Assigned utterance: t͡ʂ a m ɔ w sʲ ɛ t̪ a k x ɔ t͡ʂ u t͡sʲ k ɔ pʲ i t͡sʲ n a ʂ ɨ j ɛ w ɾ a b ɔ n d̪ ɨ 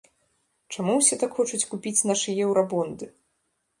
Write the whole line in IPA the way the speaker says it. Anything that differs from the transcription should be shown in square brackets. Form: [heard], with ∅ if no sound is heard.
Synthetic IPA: t͡ʂ a m [u] w sʲ ɛ t̪ a k x ɔ t͡ʂ u t͡sʲ k [u] pʲ i t͡sʲ n a ʂ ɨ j ɛ w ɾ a b ɔ n d̪ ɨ